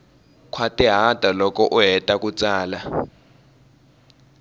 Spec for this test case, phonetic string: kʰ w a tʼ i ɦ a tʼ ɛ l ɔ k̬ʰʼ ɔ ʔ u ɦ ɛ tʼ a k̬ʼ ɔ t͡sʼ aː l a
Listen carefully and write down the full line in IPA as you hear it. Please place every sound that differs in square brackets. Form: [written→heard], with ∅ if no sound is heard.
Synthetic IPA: kʰ w a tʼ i ɦ a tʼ [ɛ→a] l ɔ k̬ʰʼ ɔ ʔ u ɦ ɛ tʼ a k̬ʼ [ɔ→u] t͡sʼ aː l a